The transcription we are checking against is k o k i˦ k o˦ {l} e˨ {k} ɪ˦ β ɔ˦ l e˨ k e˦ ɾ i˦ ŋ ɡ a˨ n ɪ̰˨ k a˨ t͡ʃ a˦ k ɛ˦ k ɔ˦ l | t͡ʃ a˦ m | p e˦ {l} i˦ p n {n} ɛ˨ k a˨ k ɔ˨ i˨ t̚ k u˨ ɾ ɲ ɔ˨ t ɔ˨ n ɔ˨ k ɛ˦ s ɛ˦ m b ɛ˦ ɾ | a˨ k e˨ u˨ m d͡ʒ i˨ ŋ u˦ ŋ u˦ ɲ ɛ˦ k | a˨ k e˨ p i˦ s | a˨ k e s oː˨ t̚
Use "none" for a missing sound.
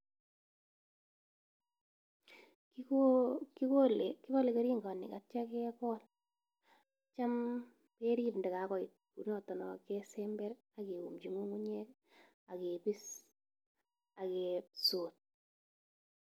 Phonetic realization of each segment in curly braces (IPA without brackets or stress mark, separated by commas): l, k, ɾ, d